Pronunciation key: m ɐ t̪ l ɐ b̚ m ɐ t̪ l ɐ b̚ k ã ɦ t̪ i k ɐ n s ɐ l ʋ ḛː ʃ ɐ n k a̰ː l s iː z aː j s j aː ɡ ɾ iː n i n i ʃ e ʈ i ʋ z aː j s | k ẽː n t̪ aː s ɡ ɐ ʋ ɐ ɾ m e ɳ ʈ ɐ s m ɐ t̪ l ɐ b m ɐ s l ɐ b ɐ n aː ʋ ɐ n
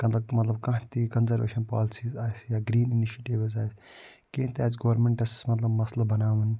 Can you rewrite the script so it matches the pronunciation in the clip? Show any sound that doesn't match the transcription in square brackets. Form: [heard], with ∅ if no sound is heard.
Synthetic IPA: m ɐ t̪ l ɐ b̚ m ɐ t̪ l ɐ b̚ k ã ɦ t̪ i k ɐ n [z] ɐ [ɾ] ʋ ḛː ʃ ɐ n [p] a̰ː l s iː z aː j s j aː ɡ ɾ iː n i n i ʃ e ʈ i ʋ z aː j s | k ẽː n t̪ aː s ɡ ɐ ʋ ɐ ɾ m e ɳ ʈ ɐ s m ɐ t̪ l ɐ b m ɐ s l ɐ b ɐ n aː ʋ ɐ n